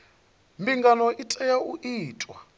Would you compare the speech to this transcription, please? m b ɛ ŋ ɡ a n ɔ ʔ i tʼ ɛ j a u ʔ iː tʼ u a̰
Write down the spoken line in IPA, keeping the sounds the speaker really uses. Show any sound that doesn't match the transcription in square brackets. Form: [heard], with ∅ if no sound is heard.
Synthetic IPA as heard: m b [i] ŋ ɡ a n ɔ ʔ i tʼ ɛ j a u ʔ iː tʼ [w] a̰